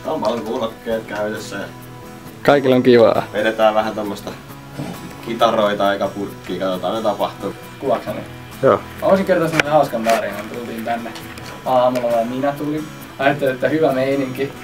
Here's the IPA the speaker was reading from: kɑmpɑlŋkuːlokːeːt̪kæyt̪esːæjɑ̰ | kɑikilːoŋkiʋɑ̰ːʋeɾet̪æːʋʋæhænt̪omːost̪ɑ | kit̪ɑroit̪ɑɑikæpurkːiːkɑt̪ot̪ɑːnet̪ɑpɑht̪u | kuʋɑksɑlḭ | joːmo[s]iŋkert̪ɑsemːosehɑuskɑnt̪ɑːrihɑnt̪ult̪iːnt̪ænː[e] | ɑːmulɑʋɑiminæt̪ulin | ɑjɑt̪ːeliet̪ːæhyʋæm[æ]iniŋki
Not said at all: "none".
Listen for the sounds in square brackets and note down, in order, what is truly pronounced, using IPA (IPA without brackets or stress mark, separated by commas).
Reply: s, e, e